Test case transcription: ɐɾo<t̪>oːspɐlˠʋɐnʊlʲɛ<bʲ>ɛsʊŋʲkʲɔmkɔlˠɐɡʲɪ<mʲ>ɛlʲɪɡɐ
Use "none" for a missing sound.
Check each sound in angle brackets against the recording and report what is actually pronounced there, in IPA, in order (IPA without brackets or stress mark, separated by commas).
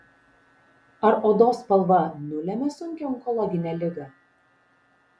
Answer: d̪, mʲ, nʲ